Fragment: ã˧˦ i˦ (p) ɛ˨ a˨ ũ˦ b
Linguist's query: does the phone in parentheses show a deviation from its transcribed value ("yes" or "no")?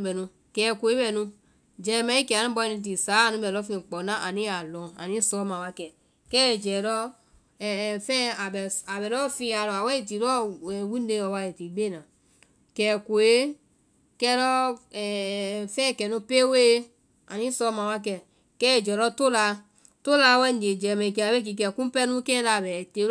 yes